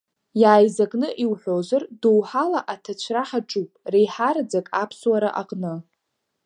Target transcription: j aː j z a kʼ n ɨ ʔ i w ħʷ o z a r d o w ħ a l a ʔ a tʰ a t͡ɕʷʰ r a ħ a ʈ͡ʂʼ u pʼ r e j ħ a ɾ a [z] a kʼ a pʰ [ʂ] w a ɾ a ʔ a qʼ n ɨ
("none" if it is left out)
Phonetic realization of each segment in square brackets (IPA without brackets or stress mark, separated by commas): d͡z, s